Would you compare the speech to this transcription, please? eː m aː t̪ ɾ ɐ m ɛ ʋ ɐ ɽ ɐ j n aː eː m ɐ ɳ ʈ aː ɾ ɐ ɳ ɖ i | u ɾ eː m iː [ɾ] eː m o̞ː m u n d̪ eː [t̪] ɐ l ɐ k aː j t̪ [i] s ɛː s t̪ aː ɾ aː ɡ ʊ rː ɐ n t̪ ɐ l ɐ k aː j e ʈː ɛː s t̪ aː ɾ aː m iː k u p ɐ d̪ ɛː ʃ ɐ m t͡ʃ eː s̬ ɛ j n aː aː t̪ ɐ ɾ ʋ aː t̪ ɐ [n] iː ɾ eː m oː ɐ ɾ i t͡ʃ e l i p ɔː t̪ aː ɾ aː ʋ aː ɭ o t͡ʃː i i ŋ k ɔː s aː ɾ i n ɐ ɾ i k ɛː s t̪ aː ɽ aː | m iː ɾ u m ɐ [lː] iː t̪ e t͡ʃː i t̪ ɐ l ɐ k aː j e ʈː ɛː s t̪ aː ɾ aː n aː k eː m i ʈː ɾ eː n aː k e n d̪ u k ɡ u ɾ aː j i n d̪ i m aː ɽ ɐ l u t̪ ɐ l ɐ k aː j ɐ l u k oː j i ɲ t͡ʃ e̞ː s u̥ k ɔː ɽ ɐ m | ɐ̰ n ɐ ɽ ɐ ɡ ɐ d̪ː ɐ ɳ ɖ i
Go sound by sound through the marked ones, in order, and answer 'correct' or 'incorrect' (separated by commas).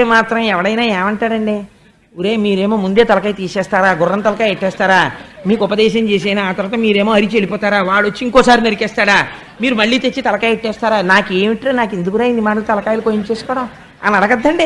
correct, correct, incorrect, incorrect, incorrect